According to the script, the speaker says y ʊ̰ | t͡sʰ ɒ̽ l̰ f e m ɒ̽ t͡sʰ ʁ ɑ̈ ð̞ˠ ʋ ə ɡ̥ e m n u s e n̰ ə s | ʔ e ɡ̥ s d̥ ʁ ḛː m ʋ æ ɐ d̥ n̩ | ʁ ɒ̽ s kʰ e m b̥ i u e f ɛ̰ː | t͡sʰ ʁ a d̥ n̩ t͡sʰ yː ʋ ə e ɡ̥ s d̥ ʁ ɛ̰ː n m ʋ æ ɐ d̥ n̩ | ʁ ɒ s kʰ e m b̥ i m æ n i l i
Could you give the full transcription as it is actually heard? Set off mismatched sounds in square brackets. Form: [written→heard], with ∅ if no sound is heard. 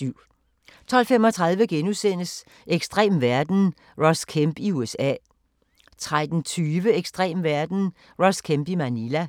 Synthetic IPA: y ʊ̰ | t͡sʰ ɒ̽ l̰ f e m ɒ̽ t͡sʰ ʁ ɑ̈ ð̞ˠ ʋ ə ɡ̥ e [m→∅] n u s e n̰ ə s | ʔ e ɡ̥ s d̥ ʁ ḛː m ʋ æ ɐ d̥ n̩ | ʁ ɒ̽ s kʰ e m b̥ i u e [f→s] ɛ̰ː | t͡sʰ ʁ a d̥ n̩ t͡sʰ yː ʋ ə e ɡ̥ s d̥ ʁ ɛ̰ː [n→∅] m ʋ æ ɐ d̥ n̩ | ʁ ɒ s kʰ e m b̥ i m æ n i l [i→æ]